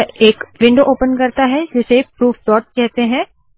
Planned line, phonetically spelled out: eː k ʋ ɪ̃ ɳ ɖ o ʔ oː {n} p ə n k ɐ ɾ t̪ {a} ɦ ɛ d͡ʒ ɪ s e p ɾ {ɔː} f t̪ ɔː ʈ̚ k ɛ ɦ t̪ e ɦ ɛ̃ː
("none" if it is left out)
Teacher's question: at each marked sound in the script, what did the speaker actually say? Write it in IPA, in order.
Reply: none, a, uː

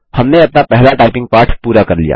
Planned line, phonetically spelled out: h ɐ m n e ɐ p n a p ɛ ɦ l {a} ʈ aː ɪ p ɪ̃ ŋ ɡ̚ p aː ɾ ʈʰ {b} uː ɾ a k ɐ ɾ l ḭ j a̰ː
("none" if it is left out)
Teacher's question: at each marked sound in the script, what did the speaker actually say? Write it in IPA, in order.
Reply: a, p

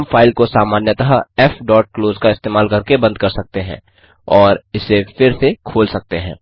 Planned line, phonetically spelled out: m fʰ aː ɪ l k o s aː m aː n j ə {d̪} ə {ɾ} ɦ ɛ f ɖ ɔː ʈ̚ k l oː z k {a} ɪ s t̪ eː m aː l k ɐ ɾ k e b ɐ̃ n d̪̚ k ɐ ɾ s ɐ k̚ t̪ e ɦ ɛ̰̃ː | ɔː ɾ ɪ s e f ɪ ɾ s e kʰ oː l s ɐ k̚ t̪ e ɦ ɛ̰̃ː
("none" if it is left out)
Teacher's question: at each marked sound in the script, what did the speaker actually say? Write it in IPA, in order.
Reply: t̪, none, a

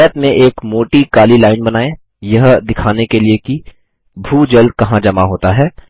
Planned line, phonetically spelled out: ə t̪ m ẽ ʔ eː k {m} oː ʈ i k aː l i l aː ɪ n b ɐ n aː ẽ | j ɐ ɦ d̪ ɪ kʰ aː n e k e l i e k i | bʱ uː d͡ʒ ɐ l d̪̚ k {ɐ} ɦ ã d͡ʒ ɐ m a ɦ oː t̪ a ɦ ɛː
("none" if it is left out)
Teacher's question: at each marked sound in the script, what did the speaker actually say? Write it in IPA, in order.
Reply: m, ɐ

